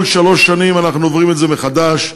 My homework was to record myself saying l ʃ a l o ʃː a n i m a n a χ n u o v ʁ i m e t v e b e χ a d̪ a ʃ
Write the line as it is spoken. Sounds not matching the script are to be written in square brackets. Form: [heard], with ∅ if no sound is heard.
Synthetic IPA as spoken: l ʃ a l o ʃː a n i m a n a χ n u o v ʁ i m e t [z] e [m] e χ a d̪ a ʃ